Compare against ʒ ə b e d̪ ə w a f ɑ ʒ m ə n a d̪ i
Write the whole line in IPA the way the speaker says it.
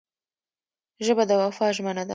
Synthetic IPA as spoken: ʒ ə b a d̪ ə w a f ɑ ʒ m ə n a d̪ a